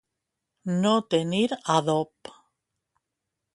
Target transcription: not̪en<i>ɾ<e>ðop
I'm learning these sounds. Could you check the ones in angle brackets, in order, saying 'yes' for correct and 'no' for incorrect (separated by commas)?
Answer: yes, no